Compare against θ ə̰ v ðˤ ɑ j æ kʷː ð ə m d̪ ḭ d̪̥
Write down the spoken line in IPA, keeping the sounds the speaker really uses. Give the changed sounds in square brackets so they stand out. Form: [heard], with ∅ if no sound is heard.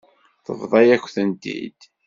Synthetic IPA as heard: θ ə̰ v ðˤ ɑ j æ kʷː [θ] ə [n] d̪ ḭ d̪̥